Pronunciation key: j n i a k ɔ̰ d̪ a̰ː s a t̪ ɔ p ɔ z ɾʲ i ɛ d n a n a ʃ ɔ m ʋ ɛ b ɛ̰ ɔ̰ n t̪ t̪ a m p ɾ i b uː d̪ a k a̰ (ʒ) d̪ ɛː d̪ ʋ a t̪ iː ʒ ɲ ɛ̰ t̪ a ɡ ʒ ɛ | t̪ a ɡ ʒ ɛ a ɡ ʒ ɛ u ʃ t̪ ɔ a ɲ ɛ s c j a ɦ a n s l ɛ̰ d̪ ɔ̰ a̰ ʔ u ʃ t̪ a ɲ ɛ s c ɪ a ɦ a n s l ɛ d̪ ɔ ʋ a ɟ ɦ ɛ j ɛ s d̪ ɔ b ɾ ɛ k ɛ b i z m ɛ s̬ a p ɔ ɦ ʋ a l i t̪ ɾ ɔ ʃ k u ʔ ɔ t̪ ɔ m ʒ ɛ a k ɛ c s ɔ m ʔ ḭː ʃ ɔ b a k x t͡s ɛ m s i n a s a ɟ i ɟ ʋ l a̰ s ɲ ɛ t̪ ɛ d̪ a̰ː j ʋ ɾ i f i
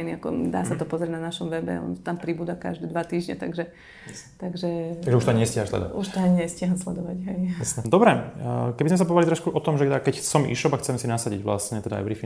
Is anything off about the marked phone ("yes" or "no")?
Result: no